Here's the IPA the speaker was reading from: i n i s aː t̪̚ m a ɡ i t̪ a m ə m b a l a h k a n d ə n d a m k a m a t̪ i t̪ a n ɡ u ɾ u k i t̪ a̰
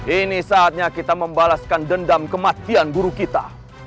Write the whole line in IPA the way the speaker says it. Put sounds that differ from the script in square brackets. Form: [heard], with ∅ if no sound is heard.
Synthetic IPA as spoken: i n i s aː t̪̚ [ɲ] a [k] i t̪ a m ə m b a l a [s] k a n d ə n d a m k [ə] m a t̪ i [∅] a n ɡ u ɾ u k i t̪ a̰